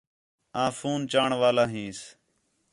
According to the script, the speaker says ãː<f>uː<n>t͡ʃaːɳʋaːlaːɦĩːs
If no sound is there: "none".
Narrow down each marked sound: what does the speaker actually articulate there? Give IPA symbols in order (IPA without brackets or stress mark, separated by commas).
f, n